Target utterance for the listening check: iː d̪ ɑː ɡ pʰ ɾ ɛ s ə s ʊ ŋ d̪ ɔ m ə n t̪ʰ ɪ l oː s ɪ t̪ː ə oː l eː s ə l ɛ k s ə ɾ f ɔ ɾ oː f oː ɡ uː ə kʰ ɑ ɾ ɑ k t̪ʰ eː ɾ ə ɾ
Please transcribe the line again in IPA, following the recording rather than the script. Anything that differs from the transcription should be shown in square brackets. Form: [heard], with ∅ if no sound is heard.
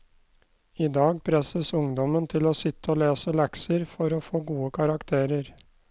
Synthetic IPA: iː d̪ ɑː ɡ pʰ ɾ ɛ s ə s ʊ ŋ d̪ ɔ m ə n t̪ʰ ɪ l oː s ɪ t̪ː ə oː l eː s ə l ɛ k s ə ɾ f ɔ ɾ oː f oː ɡ uː ə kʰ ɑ ɾ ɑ k t̪ʰ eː ɾ ə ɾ